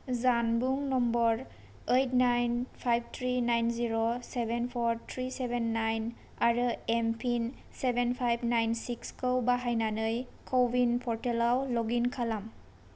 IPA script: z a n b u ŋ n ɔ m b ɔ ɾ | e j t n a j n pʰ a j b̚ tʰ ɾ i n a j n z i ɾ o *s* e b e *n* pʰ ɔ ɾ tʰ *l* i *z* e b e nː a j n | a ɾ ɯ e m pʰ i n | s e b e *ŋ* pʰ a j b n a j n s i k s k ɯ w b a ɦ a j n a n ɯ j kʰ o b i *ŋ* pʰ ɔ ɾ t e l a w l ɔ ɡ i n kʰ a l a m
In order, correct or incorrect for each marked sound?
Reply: correct, correct, incorrect, incorrect, incorrect, incorrect

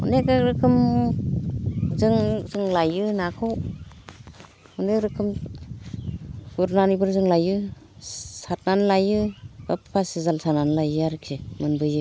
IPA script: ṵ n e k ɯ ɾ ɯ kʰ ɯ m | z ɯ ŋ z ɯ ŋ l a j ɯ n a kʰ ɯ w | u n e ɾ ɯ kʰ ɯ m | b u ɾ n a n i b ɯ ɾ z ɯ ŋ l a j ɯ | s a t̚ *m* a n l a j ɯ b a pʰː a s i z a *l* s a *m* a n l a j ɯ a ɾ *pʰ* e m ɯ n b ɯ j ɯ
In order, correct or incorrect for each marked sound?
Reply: incorrect, correct, incorrect, incorrect

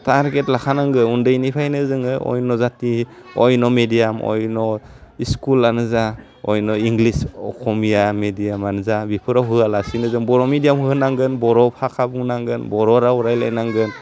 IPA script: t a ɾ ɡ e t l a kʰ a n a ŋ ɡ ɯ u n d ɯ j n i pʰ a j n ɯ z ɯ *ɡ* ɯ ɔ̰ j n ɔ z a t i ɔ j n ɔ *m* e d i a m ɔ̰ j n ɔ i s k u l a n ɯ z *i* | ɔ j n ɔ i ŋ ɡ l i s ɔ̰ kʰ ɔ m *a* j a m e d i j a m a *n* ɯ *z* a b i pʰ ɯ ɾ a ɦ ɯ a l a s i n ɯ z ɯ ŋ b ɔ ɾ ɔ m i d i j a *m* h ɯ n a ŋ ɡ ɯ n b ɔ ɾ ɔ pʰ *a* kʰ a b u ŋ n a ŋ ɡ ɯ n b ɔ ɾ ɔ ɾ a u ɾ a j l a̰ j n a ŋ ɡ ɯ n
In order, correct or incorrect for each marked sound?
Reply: incorrect, correct, incorrect, incorrect, correct, correct, correct, correct

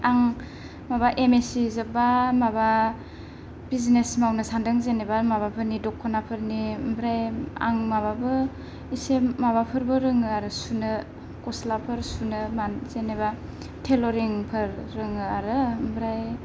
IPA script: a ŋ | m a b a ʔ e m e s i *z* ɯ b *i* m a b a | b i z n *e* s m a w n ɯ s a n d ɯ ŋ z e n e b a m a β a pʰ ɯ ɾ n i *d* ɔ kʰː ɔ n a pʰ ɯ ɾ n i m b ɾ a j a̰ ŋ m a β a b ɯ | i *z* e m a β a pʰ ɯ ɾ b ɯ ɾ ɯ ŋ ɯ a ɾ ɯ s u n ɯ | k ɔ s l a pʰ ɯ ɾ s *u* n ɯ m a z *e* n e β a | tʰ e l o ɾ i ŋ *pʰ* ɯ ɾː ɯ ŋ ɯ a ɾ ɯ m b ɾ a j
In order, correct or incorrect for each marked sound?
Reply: correct, incorrect, correct, correct, incorrect, correct, correct, correct

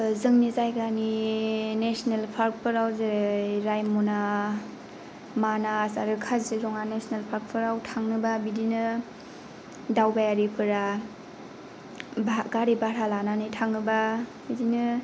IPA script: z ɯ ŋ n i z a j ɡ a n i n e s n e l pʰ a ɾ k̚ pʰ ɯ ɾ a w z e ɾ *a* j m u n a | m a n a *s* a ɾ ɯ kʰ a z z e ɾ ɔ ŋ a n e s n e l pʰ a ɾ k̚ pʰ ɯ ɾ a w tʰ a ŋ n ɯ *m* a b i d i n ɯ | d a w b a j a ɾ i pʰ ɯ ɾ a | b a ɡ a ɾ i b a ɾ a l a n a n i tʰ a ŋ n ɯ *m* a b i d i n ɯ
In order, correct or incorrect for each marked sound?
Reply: correct, correct, incorrect, incorrect

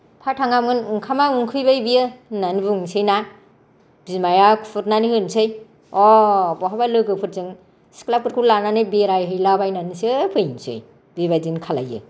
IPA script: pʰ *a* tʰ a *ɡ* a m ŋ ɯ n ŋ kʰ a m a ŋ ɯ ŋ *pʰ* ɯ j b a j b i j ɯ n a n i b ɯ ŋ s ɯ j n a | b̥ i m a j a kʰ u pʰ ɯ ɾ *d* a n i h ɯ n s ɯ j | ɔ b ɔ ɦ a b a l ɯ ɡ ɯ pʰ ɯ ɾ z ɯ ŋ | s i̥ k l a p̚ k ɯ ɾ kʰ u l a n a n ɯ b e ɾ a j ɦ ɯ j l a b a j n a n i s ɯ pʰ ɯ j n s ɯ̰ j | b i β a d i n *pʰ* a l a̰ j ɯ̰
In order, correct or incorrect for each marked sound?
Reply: correct, incorrect, incorrect, incorrect, incorrect

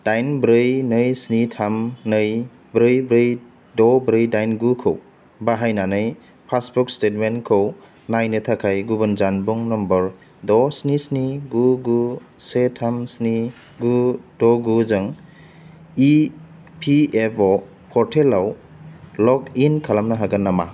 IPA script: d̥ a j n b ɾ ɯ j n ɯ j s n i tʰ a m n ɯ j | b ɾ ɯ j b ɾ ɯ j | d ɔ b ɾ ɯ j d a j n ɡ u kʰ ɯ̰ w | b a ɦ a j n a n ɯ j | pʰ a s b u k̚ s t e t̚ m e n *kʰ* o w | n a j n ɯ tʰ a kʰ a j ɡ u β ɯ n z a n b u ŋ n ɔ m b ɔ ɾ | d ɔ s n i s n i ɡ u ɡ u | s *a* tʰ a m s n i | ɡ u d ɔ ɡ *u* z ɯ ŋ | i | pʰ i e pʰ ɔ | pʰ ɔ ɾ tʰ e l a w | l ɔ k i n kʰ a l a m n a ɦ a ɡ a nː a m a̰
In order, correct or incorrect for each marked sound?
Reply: correct, incorrect, correct

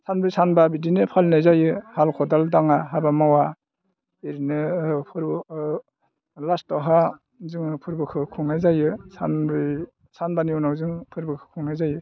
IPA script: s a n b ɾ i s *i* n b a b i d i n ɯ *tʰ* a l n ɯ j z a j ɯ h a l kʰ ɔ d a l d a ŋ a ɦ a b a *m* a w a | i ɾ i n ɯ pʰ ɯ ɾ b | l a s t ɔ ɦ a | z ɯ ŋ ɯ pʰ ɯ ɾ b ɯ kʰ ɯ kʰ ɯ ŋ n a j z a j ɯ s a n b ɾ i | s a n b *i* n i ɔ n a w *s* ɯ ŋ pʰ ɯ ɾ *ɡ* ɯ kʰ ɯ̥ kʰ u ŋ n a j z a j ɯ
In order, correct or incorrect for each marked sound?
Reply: incorrect, incorrect, correct, incorrect, incorrect, incorrect

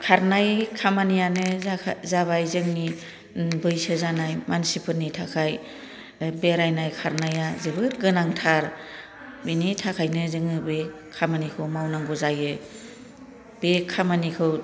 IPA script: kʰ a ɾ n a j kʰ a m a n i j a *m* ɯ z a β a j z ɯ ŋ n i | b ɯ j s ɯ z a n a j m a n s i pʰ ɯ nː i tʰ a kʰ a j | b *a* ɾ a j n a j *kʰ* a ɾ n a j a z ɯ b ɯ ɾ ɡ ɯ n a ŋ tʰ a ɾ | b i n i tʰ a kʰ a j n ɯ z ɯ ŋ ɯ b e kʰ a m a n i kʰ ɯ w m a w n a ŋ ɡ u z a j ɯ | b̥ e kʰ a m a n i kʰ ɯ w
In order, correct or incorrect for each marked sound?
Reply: incorrect, incorrect, correct

